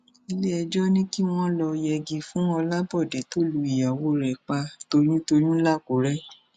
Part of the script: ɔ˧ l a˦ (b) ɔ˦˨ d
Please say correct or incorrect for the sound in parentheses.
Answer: correct